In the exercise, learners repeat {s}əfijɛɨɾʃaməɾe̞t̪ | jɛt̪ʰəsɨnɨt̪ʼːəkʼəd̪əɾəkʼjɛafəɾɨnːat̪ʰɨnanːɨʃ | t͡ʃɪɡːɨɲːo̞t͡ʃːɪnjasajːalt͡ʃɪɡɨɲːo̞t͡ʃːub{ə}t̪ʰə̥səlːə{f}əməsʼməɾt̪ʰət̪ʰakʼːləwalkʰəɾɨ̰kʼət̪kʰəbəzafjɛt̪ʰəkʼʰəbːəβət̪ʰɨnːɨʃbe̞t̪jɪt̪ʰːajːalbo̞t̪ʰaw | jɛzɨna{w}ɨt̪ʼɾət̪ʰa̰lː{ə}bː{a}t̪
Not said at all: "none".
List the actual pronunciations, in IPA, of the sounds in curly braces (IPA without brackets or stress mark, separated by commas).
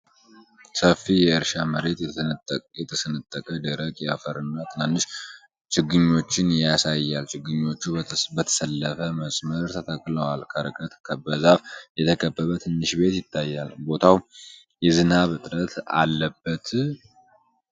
s, ə, f, β, ə, ə